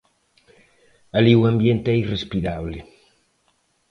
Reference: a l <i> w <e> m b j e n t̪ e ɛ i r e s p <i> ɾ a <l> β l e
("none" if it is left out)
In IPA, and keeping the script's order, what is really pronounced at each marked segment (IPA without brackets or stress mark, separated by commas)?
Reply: i, a, i, none